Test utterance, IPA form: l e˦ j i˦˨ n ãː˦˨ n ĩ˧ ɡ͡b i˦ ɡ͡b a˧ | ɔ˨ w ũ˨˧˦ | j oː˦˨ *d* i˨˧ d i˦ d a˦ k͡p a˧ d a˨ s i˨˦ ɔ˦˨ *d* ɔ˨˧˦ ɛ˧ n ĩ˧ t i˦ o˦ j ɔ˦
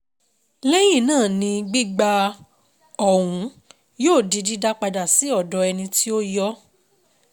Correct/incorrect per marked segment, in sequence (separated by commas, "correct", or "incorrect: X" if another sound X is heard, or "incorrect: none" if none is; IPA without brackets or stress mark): correct, correct